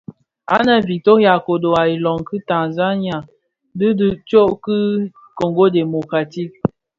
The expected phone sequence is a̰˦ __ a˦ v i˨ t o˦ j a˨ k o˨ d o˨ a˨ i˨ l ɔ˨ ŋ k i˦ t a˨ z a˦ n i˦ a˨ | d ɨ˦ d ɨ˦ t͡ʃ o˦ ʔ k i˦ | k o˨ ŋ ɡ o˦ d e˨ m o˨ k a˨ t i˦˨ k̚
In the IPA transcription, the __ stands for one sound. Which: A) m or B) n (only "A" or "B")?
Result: B